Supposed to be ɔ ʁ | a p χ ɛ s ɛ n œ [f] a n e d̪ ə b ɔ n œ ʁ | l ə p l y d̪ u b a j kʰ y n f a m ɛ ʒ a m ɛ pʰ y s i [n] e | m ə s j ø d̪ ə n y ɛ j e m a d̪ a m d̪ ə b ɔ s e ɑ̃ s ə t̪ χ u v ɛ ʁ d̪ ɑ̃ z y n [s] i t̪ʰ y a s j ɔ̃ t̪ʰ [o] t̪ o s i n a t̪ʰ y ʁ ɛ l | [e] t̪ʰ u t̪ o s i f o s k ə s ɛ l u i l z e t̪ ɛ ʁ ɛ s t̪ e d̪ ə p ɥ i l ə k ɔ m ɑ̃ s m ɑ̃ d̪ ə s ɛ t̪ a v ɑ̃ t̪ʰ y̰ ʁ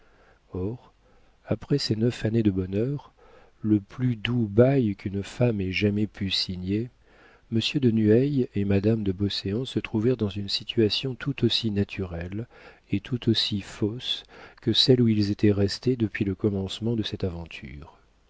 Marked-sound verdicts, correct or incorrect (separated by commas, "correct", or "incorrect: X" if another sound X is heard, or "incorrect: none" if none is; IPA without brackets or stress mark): correct, incorrect: ɲ, correct, incorrect: u, correct